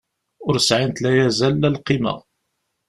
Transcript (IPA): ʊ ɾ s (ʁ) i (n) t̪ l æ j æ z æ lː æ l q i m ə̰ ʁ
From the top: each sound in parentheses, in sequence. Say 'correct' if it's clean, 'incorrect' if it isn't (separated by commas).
incorrect, correct